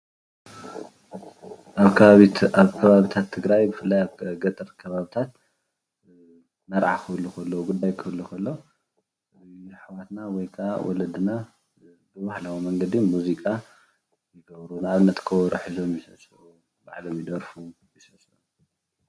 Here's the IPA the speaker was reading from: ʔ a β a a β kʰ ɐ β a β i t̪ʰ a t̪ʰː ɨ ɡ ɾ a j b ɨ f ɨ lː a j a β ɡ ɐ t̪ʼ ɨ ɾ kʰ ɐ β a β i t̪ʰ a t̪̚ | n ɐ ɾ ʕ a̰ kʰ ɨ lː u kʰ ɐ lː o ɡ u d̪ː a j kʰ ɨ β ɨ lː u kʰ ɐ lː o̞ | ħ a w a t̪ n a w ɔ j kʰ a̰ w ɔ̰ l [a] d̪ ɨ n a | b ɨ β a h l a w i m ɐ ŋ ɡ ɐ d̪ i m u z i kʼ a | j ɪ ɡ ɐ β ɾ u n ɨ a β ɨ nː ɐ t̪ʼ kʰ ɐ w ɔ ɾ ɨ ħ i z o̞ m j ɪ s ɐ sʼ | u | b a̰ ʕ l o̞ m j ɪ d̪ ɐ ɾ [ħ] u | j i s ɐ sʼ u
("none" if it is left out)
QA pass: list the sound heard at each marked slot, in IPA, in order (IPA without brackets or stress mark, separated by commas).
ɐ, f